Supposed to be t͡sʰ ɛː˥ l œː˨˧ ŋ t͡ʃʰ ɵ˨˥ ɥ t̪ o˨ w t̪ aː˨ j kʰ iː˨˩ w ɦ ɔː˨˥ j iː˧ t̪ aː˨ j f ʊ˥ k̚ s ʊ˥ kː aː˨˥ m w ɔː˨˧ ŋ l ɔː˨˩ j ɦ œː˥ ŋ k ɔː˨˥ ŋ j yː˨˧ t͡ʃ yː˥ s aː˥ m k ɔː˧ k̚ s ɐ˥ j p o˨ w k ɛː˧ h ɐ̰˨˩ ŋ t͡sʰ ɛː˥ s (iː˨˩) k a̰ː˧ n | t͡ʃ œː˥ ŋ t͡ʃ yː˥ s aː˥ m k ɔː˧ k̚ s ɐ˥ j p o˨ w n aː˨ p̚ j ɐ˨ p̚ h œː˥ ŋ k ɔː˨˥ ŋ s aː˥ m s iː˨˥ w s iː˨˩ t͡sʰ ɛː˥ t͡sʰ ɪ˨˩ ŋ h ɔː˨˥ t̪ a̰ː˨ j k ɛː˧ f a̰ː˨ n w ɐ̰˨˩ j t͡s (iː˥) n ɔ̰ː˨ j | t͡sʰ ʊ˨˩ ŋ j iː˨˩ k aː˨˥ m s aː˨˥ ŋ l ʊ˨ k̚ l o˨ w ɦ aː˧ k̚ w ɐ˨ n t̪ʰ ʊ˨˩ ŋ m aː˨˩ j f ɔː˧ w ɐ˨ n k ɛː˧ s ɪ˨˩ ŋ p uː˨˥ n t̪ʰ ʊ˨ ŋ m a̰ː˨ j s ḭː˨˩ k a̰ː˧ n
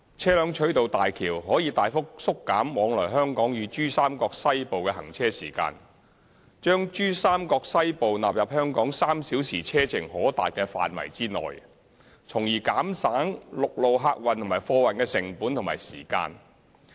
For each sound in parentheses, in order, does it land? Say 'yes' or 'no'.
yes, yes

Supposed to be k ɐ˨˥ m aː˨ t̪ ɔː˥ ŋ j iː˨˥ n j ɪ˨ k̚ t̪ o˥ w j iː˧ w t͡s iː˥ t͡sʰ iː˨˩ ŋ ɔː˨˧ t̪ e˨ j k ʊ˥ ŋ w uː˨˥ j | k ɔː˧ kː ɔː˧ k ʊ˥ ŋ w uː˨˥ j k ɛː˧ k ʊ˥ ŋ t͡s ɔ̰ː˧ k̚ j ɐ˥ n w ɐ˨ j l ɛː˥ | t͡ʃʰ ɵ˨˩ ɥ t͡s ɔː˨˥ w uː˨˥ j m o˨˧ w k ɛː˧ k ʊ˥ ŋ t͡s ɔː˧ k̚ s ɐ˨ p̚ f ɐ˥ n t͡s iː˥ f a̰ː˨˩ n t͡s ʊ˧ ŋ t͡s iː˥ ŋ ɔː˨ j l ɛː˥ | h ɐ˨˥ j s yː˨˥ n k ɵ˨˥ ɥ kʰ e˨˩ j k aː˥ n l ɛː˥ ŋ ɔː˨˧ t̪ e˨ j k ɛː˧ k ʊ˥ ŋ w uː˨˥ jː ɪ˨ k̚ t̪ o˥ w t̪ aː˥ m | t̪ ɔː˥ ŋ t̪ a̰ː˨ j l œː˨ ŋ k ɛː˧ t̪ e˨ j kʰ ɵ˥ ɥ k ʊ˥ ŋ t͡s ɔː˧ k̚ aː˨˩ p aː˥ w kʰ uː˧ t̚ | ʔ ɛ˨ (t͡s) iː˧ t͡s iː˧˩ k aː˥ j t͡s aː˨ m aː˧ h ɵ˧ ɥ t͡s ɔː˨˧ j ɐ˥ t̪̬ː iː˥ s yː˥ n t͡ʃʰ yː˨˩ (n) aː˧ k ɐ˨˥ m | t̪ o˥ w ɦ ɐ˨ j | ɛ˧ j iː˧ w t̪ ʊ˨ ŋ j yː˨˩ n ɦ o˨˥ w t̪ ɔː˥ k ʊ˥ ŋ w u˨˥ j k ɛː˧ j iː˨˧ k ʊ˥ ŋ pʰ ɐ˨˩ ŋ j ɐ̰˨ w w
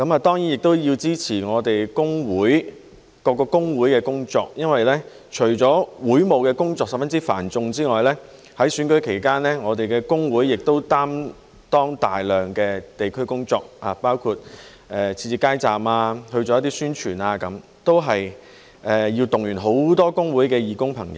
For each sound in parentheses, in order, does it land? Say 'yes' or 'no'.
no, yes

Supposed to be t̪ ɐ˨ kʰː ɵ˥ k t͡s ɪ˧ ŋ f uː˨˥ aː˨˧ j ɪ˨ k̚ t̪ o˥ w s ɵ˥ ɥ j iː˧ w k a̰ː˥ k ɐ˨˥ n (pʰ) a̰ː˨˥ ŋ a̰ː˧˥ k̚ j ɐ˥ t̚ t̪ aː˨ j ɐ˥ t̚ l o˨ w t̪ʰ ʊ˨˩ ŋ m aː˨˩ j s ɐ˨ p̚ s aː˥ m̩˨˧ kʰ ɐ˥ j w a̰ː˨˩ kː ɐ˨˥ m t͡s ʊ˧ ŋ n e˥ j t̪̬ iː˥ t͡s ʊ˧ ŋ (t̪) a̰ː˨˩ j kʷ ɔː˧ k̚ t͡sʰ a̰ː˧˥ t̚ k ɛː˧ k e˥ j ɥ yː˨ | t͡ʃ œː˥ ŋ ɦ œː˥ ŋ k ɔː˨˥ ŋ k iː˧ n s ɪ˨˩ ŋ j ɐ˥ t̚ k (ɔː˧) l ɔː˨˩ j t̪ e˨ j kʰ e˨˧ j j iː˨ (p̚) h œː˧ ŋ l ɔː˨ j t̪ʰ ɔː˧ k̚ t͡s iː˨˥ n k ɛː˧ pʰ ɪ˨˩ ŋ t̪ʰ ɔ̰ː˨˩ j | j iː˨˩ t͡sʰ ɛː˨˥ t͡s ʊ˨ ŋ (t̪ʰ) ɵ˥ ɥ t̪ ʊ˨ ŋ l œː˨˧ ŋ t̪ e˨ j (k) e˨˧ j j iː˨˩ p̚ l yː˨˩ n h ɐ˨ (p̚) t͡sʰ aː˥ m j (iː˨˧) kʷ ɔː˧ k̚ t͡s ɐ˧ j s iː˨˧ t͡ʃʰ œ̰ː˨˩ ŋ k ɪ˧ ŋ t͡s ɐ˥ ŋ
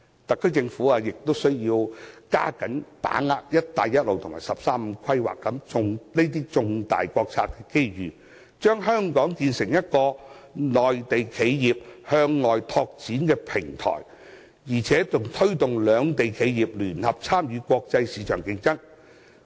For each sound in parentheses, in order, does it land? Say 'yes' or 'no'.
no, yes, yes, yes, yes, no, yes, no

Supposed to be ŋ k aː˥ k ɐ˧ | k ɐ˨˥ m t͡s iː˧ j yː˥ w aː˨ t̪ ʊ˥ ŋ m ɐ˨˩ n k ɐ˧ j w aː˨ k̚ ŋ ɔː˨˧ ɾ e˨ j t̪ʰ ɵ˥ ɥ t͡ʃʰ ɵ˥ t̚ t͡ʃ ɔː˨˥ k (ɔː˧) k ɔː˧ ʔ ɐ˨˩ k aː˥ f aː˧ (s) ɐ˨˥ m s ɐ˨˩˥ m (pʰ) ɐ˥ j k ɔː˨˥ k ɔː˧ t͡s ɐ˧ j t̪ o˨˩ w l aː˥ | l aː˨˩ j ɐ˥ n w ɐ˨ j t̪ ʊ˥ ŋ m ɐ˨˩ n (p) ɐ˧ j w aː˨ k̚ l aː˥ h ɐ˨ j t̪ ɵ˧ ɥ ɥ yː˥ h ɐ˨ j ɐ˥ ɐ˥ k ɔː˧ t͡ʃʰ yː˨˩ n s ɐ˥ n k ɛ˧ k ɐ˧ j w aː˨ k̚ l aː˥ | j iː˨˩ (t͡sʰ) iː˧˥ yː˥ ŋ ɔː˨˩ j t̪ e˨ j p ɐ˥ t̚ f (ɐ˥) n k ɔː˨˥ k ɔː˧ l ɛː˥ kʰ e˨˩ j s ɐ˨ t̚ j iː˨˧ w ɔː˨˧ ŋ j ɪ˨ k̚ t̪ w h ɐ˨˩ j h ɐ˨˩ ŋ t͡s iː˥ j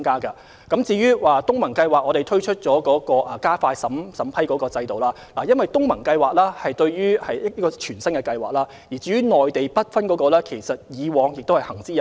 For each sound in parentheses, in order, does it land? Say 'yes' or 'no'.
no, yes, yes, no, no, yes

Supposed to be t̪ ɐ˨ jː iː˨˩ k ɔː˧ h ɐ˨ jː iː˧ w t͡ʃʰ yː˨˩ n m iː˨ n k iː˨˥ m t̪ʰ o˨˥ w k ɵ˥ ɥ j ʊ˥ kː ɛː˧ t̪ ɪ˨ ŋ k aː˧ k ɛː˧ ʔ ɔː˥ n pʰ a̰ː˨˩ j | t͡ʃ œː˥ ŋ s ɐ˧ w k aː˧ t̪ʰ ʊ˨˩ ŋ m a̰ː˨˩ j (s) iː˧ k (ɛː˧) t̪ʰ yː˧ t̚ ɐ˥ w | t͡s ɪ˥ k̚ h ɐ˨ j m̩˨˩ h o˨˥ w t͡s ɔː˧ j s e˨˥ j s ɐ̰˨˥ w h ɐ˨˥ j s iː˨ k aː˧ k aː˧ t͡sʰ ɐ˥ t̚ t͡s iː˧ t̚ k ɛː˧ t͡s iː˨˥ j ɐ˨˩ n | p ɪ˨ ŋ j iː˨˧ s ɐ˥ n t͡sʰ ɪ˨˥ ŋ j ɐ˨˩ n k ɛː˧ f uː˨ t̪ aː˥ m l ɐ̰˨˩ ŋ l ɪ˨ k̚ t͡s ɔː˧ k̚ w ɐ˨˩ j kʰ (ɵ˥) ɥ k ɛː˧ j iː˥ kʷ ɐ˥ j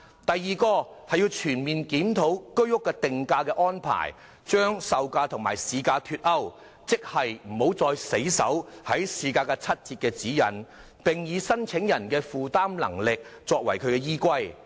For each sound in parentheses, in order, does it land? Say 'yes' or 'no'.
yes, no, no

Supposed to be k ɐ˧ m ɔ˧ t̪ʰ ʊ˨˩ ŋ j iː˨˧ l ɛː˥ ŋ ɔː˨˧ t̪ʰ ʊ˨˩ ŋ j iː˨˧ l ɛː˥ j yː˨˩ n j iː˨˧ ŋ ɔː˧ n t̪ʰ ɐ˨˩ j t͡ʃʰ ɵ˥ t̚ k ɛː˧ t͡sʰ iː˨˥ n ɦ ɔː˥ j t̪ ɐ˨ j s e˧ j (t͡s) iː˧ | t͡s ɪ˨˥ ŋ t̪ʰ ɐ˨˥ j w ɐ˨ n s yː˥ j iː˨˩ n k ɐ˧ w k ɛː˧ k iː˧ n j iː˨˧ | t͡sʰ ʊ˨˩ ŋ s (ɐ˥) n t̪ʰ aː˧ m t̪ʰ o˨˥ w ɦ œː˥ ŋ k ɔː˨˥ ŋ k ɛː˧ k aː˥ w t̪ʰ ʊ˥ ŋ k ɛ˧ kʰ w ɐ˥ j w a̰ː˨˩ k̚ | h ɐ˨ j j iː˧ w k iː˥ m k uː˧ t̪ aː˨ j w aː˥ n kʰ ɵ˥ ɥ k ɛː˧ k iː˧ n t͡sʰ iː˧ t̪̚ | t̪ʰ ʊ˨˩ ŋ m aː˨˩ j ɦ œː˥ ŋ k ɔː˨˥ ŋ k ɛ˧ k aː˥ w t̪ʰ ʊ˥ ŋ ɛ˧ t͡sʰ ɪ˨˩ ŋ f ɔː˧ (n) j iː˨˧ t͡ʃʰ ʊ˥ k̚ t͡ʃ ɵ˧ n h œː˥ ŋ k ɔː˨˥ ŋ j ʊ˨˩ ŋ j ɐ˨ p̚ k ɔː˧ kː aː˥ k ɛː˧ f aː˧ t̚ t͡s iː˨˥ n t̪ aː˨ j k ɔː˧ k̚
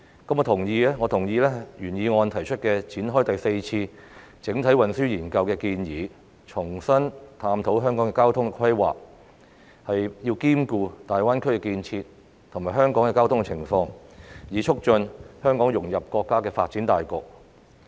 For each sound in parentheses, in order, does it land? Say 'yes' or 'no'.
no, yes, no

